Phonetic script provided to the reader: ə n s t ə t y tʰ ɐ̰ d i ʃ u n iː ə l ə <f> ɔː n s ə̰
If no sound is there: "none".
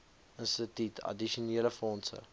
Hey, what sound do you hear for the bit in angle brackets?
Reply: f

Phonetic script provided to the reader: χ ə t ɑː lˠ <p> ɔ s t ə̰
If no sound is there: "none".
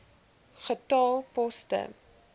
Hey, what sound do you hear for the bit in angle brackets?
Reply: p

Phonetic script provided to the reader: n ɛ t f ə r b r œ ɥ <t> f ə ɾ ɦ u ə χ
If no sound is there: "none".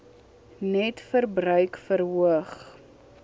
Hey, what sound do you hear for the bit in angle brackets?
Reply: k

